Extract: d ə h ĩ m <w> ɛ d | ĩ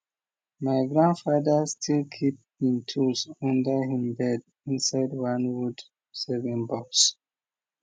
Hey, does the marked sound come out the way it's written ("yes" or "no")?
no